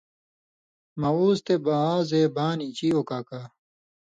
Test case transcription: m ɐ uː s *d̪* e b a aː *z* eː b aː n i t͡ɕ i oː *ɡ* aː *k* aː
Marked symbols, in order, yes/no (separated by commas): no, yes, no, yes